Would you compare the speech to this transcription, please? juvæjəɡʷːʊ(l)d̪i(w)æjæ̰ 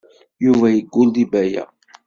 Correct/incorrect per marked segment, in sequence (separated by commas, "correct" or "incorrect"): correct, incorrect